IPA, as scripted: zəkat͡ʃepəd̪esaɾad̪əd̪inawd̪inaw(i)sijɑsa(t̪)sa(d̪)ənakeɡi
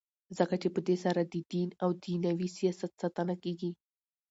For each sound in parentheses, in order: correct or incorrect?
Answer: correct, correct, incorrect

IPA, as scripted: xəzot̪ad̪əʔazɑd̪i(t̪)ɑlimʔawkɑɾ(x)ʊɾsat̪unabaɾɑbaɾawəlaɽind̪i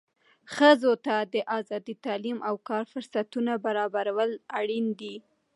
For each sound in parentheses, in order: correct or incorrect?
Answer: correct, incorrect

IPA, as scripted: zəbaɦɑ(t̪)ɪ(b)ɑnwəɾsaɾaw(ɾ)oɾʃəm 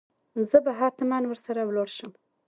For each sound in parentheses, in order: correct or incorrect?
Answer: correct, incorrect, incorrect

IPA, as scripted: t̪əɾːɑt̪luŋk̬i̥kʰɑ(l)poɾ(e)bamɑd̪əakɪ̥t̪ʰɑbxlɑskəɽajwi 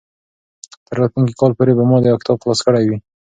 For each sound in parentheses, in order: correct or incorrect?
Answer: correct, correct

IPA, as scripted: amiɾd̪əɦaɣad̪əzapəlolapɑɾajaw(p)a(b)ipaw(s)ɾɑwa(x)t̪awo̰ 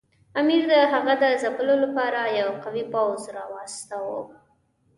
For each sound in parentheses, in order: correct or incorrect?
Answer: incorrect, incorrect, incorrect, incorrect

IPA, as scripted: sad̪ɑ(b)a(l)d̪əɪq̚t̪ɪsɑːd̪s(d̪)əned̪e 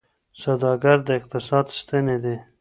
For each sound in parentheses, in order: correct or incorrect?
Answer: incorrect, incorrect, incorrect

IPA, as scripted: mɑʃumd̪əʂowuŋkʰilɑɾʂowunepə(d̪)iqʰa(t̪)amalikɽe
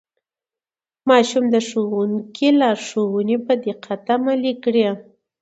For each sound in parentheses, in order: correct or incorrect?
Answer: correct, correct

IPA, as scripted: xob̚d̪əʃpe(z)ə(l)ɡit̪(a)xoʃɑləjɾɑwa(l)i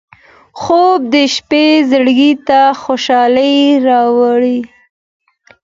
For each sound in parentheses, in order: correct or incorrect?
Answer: correct, incorrect, correct, incorrect

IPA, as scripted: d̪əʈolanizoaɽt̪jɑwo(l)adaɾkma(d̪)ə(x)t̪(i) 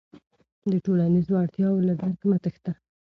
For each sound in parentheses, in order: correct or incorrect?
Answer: correct, incorrect, correct, incorrect

